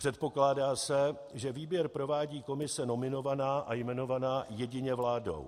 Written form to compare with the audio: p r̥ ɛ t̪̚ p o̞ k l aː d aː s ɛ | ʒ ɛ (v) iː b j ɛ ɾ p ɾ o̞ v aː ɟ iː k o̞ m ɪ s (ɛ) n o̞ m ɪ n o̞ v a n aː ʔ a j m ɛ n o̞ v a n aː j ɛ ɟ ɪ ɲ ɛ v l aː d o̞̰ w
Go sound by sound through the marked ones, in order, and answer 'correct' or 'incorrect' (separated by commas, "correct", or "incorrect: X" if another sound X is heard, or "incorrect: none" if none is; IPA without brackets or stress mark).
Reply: correct, correct